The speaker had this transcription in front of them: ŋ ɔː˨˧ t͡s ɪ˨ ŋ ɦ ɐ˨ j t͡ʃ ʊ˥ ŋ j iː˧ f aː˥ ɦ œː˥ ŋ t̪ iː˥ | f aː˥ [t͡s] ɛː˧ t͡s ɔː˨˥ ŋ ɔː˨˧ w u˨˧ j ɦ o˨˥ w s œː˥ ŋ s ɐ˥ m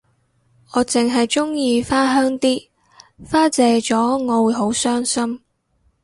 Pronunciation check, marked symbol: correct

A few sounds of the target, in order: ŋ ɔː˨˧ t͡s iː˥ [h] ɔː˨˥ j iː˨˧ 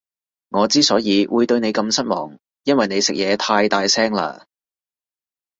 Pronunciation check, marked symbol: incorrect: s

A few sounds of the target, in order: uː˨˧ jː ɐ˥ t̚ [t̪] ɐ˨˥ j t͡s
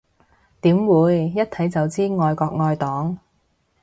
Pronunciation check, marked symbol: incorrect: t̪ʰ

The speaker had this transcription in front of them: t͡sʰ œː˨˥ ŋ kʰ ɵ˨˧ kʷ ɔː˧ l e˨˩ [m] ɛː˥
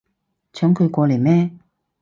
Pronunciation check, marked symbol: correct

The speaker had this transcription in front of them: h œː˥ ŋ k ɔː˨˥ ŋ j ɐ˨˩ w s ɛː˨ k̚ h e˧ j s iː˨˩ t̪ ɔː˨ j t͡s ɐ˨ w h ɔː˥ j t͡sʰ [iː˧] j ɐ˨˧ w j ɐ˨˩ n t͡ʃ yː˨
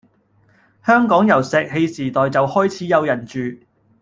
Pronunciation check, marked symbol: incorrect: iː˨˥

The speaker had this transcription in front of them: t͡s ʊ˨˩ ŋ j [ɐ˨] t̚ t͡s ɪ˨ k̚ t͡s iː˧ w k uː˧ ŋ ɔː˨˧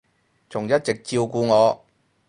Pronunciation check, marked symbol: incorrect: ɐ˥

